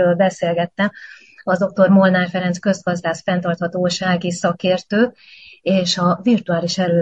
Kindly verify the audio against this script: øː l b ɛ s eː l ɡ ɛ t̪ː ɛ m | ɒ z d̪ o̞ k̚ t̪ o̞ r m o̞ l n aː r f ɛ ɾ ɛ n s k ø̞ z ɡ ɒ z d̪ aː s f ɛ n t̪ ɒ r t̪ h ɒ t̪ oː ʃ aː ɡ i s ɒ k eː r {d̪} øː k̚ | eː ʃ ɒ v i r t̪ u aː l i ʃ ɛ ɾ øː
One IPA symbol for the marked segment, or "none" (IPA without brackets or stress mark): t̪